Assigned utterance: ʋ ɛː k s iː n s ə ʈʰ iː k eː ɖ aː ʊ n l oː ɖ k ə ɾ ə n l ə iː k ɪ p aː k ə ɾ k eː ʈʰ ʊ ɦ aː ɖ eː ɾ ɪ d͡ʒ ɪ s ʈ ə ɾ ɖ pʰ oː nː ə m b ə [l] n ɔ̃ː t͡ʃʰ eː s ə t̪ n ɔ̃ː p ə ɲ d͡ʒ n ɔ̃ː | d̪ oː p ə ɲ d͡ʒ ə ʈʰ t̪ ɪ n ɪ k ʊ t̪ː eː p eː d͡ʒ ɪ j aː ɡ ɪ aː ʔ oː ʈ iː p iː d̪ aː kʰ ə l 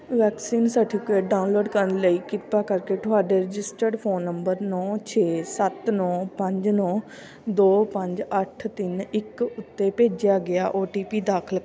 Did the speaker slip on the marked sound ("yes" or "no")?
yes